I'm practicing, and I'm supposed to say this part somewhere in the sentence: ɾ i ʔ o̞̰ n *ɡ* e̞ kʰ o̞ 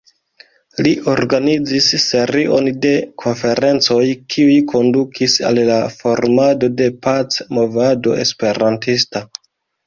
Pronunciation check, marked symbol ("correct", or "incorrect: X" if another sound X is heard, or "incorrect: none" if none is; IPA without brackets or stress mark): incorrect: d